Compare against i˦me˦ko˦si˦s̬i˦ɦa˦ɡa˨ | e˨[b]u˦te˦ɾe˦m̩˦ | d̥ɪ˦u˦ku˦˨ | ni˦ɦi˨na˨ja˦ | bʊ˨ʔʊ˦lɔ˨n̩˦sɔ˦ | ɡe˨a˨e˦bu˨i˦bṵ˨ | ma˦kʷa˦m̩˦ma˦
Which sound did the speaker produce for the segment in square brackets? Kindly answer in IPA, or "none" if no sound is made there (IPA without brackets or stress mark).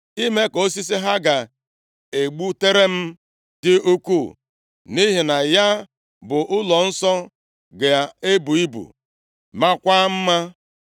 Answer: ɡ͡b